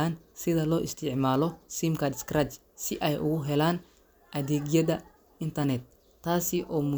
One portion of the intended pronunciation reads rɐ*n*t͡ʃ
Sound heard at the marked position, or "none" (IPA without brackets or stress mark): none